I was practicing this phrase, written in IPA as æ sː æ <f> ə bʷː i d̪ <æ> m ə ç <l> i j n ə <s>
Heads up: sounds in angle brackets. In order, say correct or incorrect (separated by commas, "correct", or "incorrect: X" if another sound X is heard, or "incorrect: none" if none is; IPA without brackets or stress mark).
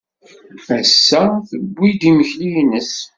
incorrect: θ, incorrect: i, correct, correct